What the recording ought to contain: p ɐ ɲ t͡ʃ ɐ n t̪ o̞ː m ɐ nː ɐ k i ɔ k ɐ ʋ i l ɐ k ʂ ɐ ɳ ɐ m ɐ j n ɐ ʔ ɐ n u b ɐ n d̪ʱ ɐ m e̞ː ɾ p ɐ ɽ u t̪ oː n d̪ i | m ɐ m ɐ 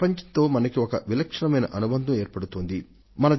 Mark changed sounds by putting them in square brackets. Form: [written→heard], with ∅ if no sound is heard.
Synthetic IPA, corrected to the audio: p ɐ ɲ t͡ʃ ɐ n t̪ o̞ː m ɐ [nː→n] ɐ k i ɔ k ɐ ʋ i l ɐ k ʂ ɐ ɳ ɐ m ɐ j n ɐ ʔ ɐ n u b ɐ n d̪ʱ ɐ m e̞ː ɾ p ɐ ɽ u t̪ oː n d̪ i | m ɐ [m→n] ɐ